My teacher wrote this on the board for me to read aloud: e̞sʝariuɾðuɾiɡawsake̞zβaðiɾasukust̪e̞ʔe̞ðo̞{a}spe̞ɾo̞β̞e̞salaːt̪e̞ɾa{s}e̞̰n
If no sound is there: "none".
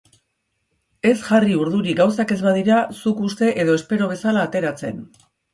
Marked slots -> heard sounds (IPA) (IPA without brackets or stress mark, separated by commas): e, t͡s